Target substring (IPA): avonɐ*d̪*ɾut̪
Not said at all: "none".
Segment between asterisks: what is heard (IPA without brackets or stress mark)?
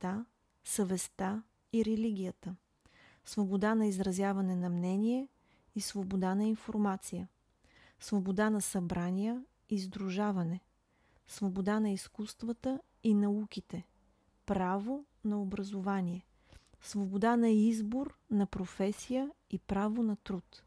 t̪